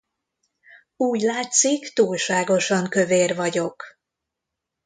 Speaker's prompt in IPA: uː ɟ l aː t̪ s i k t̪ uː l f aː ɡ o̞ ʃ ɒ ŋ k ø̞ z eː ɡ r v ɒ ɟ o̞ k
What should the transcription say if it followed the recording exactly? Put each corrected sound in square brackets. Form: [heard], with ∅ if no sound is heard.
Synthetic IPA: uː ɟ l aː t̪ s i k t̪ uː l [ʃ] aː ɡ o̞ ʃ ɒ ŋ k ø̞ [v] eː [∅] r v ɒ ɟ o̞ k